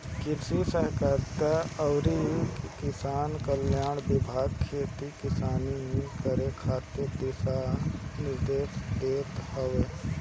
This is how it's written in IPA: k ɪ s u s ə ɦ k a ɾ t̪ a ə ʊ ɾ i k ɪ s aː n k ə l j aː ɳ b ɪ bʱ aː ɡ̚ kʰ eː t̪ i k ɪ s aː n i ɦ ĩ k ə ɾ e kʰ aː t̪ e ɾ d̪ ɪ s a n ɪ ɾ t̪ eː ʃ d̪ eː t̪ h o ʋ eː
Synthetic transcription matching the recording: k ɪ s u s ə ɦ k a ɾ t̪ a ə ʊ ɾ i k ɪ s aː n k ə l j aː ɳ b ɪ bʱ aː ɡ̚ kʰ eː t̪ i k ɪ s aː n i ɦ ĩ k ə ɾ e kʰ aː t̪ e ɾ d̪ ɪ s a n ɪ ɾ d̪ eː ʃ d̪ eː t̪ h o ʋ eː